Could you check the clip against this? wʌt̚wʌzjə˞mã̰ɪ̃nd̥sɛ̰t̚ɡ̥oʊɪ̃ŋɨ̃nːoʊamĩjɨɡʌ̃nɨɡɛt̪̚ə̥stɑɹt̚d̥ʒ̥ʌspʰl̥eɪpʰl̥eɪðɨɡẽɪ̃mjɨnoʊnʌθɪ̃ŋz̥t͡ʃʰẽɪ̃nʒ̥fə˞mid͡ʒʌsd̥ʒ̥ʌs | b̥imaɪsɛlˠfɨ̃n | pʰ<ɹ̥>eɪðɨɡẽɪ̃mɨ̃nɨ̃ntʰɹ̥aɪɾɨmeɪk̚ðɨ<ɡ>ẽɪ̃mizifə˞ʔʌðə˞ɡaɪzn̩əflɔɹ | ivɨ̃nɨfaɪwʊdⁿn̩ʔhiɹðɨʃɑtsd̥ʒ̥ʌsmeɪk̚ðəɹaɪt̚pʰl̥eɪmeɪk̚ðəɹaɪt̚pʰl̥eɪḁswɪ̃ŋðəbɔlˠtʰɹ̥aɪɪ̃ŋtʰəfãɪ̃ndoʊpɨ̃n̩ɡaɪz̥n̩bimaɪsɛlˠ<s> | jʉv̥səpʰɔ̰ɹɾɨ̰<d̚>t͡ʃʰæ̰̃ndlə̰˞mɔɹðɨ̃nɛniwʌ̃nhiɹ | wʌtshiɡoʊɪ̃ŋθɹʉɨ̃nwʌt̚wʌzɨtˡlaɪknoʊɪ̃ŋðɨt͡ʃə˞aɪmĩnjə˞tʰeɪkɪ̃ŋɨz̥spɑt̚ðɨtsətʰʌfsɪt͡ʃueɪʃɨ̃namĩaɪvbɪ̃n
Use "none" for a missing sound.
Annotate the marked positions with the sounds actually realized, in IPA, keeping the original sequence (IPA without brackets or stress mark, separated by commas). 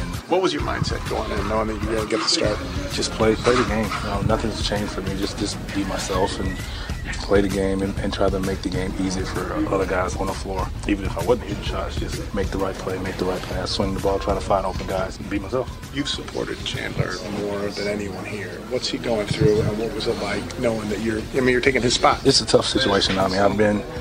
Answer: l̥, ɡ, f, d̚